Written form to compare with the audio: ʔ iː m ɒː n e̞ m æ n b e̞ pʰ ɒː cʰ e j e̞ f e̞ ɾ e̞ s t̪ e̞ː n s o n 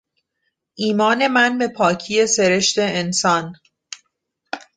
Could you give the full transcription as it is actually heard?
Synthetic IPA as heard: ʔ iː m ɒː n e̞ m æ n b e̞ pʰ ɒː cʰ i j e̞ s e̞ ɾ e̞ ʃ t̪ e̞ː n s ɒ n